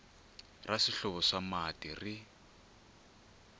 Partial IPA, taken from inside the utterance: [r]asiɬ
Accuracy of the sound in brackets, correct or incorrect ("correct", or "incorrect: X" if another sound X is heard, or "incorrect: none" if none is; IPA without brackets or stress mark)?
correct